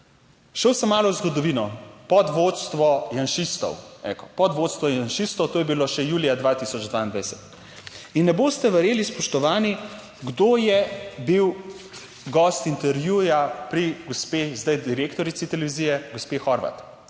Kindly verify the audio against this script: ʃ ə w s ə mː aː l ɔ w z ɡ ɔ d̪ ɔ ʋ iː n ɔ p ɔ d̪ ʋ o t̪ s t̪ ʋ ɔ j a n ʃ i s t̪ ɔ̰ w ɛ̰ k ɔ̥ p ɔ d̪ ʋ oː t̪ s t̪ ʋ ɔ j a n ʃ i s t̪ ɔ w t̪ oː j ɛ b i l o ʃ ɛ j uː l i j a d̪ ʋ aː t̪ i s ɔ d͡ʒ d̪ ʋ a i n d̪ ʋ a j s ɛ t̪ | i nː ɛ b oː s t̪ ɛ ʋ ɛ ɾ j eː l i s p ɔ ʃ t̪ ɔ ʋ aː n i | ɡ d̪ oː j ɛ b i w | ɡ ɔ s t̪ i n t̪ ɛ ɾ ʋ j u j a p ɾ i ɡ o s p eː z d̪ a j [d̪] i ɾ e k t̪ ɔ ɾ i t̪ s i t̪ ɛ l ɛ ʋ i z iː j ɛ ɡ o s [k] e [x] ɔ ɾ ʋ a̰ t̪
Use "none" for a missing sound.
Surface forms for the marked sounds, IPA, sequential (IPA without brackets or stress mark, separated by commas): d̪, p, x